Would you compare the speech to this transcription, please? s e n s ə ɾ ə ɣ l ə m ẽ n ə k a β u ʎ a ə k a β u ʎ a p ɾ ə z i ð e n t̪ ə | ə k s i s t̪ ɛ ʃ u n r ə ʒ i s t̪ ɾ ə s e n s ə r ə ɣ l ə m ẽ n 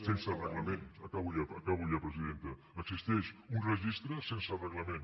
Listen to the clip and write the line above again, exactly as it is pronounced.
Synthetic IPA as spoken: s e n s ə r ə ɣ l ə m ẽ n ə k a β u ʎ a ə k a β u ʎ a p ɾ ə z i ð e n t̪ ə | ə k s i s t̪ ɛ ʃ u n r ə ʒ i s t̪ ɾ ə s e n s ə r ə ɣ l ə m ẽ n